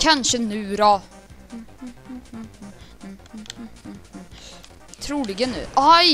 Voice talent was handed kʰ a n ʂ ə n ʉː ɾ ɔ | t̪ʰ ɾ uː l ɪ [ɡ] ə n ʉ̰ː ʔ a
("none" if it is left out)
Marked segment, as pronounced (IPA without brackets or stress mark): ɡ